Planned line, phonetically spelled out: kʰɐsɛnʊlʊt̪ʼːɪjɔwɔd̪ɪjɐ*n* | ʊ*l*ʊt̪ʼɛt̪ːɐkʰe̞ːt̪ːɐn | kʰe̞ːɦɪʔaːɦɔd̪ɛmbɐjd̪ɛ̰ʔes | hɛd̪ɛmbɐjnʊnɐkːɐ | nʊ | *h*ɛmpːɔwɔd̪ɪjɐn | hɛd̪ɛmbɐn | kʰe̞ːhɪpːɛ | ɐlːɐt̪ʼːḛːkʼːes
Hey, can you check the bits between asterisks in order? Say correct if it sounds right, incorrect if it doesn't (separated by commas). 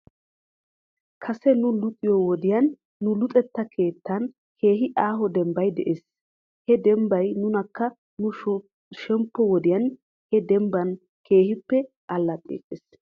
incorrect, correct, incorrect